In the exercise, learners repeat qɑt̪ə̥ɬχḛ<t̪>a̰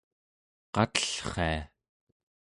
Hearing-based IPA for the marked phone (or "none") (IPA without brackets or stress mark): none